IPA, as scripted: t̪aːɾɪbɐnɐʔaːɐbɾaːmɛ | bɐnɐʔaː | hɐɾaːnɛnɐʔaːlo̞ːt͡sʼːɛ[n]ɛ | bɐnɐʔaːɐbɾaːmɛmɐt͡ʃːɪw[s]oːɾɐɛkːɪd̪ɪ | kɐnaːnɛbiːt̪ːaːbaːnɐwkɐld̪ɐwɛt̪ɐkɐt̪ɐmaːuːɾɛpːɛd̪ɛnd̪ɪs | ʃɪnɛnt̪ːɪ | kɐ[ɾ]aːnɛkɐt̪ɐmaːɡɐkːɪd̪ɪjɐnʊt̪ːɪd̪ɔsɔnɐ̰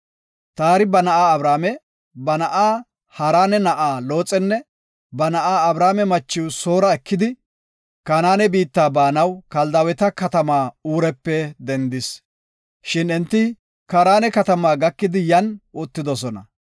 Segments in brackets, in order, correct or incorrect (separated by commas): incorrect, correct, correct